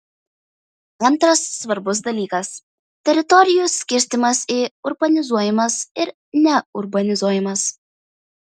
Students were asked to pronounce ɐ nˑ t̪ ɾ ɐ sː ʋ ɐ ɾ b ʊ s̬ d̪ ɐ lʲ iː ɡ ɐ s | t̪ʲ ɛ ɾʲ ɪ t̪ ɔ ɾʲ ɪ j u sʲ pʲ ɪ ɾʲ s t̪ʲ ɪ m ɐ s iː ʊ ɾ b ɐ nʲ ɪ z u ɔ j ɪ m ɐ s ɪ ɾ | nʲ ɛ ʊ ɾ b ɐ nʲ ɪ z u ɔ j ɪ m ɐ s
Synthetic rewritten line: ɐ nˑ t̪ ɾ ɐ sː ʋ ɐ ɾ b ʊ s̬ d̪ ɐ lʲ iː k ɐ s | t̪ʲ ɛ ɾʲ ɪ t̪ ɔ ɾʲ ɪ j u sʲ kʲ ɪ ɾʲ s t̪ʲ ɪ m ɐ s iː ʊ ɾ b ɐ nʲ ɪ z u ɔ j ɪ m ɐ s ɪ ɾ | nʲ ɛ ʊ ɾ b ɐ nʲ ɪ z u ɔ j ɪ m ɐ s